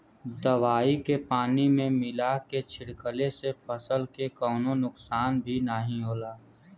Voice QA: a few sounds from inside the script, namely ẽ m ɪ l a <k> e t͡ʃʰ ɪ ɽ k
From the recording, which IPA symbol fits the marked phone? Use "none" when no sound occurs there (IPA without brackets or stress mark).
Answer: k